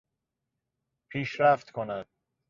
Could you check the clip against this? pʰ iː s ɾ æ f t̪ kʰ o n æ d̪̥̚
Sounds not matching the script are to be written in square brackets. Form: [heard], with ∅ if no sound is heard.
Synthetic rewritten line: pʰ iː [ʃ] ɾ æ f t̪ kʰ o n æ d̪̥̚

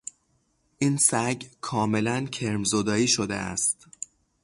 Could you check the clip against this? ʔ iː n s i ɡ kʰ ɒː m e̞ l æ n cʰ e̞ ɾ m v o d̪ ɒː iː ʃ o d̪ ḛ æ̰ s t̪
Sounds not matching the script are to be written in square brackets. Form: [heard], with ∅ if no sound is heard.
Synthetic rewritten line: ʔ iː n s [æ] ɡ kʰ ɒː m e̞ l æ n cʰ e̞ ɾ m [z] o d̪ ɒː iː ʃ o d̪ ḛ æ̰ s t̪

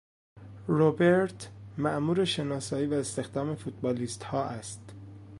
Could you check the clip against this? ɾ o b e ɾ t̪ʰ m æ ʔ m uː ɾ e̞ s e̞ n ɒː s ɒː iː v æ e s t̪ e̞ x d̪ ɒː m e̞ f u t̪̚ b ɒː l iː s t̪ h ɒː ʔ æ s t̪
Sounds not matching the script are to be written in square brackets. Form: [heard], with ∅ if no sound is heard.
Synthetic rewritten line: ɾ o b e ɾ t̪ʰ m æ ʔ m uː ɾ e̞ [ʃ] e̞ n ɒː s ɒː iː v æ e s t̪ e̞ x d̪ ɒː m e̞ f u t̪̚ b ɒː l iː s t̪ h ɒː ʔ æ s t̪

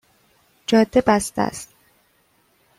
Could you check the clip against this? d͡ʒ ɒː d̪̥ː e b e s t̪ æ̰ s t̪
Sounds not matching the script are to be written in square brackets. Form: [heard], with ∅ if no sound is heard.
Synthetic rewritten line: d͡ʒ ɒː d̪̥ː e b [æ] s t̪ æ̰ s t̪

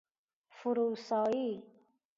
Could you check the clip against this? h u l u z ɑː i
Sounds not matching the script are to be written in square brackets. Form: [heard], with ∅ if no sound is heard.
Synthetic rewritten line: [f] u [ɾ] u [s] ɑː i

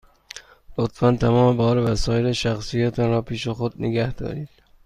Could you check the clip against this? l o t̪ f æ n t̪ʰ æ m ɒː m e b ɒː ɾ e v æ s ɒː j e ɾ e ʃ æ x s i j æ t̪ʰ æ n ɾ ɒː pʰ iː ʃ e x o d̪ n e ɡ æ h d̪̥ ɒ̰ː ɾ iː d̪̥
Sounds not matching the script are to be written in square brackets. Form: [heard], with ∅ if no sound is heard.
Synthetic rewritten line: l o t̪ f æ n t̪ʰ æ m ɒː m e b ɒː ɾ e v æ s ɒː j e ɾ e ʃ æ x s i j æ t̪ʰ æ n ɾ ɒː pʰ iː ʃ e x o d̪ n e ɡ æ h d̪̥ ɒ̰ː ɾ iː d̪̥

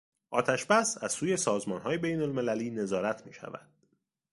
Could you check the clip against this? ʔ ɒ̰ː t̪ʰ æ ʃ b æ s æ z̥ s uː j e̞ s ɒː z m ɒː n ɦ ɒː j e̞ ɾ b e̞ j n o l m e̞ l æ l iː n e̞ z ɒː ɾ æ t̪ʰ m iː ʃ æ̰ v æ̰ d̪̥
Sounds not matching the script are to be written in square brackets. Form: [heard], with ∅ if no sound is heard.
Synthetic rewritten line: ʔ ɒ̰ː t̪ʰ æ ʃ b æ s æ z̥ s uː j e̞ s ɒː z m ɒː n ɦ ɒː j e̞ [∅] b e̞ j n o l m e̞ l æ l iː n e̞ z ɒː ɾ æ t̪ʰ m iː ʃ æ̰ v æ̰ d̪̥

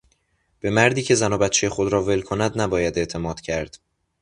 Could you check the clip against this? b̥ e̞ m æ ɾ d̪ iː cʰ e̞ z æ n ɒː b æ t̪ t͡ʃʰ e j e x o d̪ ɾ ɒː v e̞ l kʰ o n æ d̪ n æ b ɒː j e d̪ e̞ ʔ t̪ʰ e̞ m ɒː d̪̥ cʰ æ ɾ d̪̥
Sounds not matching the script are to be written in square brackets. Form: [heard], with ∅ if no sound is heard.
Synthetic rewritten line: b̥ e̞ m æ ɾ d̪ iː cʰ e̞ z æ n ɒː b æ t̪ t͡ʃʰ e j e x o d̪ ɾ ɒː v e̞ l kʰ o n æ d̪ n æ b ɒː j [æ] d̪ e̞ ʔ t̪ʰ e̞ m ɒː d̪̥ cʰ æ ɾ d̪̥

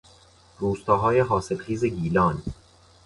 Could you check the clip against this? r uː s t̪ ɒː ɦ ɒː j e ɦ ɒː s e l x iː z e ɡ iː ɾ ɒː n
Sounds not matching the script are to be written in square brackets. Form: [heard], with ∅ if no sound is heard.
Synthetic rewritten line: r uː s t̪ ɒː ɦ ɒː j e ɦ ɒː s e l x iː z e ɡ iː [l] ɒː n

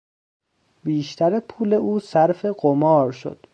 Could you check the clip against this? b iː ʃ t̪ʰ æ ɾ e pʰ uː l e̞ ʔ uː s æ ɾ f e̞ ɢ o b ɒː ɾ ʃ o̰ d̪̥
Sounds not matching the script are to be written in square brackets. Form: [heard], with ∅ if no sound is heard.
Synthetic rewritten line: b iː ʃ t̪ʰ æ ɾ e pʰ uː l e̞ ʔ uː s æ ɾ f e̞ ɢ o [m] ɒː ɾ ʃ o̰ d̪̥

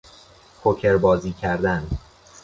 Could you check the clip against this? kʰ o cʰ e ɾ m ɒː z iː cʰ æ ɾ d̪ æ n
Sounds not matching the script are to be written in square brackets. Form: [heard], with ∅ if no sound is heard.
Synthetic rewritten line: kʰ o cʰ e ɾ [b] ɒː z iː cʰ æ ɾ d̪ æ n

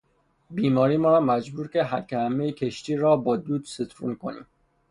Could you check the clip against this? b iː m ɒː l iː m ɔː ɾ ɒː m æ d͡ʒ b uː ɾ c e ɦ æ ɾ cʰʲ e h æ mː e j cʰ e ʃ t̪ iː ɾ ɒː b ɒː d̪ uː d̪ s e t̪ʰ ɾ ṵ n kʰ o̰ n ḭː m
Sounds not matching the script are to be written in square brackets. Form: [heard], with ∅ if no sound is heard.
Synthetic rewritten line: b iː m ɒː [ɾ] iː m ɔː ɾ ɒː m æ d͡ʒ b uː ɾ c e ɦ æ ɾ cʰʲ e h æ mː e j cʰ e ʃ t̪ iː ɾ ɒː b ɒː d̪ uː d̪ s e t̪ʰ ɾ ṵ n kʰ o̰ n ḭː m

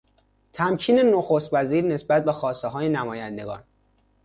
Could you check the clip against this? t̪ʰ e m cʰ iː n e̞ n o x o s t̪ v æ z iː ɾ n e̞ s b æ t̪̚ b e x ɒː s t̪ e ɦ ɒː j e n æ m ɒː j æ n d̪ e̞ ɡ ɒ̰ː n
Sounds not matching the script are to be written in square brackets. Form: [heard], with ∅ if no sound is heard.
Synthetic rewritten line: t̪ʰ [æ] m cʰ iː n e̞ n o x o s t̪ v æ z iː ɾ n e̞ s b æ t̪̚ b e x ɒː s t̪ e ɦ ɒː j e n æ m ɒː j æ n d̪ e̞ ɡ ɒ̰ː n

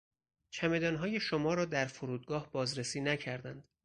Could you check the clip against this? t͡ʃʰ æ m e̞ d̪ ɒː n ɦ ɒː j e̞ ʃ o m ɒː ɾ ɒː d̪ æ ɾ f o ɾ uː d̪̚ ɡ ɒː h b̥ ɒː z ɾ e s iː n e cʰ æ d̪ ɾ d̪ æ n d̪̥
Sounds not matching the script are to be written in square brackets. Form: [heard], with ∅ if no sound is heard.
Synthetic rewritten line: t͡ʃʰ æ m e̞ d̪ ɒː n ɦ ɒː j e̞ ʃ o m ɒː ɾ ɒː d̪ æ ɾ f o ɾ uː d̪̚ ɡ ɒː h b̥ ɒː z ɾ e s iː n [æ] cʰ æ [∅] ɾ d̪ æ n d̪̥

